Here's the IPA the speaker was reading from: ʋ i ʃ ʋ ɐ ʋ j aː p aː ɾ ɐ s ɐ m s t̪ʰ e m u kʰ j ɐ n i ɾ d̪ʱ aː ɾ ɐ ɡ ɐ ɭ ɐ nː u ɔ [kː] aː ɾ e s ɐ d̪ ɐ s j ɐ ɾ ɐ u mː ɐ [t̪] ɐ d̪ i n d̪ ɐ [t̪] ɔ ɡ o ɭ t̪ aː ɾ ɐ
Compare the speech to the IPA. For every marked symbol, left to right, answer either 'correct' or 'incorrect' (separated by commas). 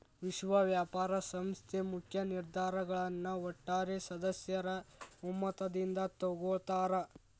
incorrect, correct, correct